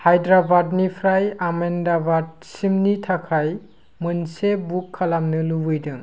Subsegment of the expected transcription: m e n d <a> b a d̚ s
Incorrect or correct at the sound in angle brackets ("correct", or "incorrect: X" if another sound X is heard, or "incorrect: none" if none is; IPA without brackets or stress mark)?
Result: correct